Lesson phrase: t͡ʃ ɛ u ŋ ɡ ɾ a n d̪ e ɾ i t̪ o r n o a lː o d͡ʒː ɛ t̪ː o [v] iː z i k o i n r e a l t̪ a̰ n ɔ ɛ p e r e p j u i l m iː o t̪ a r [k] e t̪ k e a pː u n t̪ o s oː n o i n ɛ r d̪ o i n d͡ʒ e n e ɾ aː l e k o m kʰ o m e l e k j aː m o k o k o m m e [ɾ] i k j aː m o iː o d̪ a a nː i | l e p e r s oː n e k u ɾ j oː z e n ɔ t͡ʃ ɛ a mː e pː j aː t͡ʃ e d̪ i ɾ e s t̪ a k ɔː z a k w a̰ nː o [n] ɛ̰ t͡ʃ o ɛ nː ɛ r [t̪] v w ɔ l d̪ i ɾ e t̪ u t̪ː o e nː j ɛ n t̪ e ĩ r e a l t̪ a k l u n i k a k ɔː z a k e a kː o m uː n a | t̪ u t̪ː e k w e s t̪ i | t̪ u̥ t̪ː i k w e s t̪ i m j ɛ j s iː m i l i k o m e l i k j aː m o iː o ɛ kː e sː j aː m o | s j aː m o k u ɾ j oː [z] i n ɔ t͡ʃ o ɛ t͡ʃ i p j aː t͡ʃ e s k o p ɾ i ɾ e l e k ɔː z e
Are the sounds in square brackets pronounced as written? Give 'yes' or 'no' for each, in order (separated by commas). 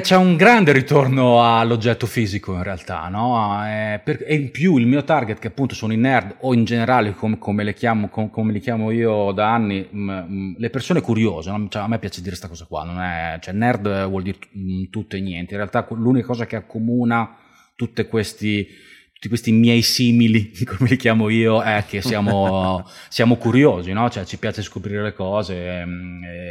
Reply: no, no, no, yes, no, yes